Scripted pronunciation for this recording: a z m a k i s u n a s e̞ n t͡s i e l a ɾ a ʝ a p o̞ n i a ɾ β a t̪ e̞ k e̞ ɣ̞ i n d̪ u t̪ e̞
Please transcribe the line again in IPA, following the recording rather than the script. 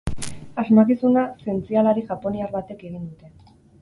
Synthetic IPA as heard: a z m a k i s u n a s e̞ n t͡s i a l a ɾ i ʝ a p o̞ n i a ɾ β a t̪ e̞ k e̞ ɣ̞ i n d̪ u t̪ e̞